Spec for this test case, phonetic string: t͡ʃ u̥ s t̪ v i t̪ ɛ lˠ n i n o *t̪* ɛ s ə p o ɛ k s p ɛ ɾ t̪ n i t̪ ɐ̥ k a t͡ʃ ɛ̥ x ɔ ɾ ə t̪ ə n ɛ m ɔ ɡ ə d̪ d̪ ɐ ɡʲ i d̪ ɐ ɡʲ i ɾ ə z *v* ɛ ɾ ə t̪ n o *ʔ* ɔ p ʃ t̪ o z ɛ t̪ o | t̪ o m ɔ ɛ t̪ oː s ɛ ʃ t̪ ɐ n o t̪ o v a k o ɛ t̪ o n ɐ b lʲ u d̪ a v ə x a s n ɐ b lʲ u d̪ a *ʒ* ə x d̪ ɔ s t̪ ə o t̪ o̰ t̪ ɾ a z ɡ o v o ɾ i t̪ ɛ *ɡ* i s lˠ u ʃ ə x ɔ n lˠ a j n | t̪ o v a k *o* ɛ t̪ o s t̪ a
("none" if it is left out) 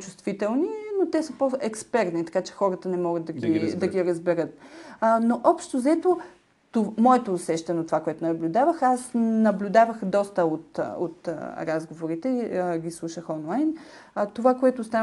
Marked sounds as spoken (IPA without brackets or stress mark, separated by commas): t̪, b, ʔ, v, ɡ, o